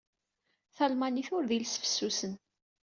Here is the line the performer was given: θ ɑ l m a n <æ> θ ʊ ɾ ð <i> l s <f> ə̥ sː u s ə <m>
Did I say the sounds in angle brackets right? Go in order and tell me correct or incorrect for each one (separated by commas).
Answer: incorrect, correct, correct, incorrect